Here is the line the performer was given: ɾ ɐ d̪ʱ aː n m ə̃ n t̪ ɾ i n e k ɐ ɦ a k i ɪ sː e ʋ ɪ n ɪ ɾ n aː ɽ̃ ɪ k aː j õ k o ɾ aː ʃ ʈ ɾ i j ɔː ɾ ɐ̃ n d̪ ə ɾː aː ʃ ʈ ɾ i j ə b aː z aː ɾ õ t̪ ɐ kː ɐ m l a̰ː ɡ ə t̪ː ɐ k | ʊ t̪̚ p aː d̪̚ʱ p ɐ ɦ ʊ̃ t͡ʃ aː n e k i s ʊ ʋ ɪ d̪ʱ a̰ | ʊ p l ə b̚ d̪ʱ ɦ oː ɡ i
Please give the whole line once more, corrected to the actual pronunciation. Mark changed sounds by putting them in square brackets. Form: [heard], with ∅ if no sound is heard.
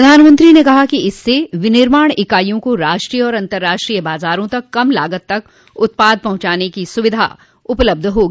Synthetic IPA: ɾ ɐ d̪ʱ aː n m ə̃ n t̪ ɾ i n e k ɐ ɦ a k i ɪ sː e ʋ ɪ n ɪ ɾ [m] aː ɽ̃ ɪ k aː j õ k o ɾ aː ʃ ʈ ɾ i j ɔː ɾ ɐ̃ n [t̪] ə ɾː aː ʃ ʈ ɾ i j ə b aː z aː ɾ õ t̪ ɐ kː ɐ m l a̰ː ɡ ə t̪ː ɐ k | ʊ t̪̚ p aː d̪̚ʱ p ɐ ɦ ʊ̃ t͡ʃ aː n e k i s ʊ ʋ ɪ d̪ʱ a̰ | ʊ p l ə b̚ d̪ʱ ɦ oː ɡ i